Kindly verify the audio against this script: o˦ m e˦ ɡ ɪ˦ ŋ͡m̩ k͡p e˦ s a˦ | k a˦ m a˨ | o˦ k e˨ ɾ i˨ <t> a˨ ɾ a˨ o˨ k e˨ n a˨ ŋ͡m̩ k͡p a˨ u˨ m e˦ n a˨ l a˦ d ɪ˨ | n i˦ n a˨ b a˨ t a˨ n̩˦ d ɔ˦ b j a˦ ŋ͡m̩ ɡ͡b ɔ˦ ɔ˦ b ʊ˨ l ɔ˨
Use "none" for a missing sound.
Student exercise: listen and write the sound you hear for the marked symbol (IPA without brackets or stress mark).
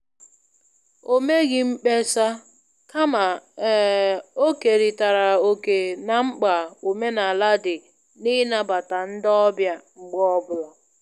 t